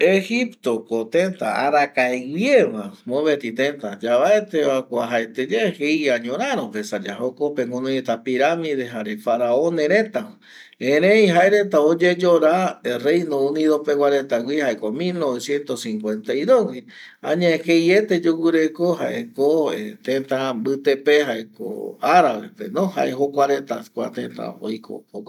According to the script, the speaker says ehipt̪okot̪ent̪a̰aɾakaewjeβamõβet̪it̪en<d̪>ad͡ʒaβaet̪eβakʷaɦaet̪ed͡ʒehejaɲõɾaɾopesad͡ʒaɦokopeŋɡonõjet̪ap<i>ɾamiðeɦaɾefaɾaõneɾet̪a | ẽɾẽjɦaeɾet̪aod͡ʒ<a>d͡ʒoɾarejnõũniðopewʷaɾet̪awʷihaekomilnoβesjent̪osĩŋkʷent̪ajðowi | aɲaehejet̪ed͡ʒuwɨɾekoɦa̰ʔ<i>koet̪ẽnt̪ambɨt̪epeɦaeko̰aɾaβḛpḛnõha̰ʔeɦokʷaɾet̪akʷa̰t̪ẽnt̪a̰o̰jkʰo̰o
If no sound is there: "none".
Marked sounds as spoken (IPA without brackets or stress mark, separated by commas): t̪, i, e, e